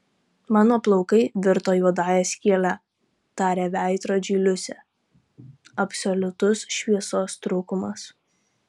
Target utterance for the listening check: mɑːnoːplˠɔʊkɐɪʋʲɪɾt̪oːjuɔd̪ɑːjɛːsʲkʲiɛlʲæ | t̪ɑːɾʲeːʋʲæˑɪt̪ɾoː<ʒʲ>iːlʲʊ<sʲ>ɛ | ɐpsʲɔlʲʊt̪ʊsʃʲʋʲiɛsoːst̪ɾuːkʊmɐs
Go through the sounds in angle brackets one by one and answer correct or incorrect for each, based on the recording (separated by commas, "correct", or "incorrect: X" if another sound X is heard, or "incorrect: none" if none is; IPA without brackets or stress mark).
incorrect: d͡ʒʲ, correct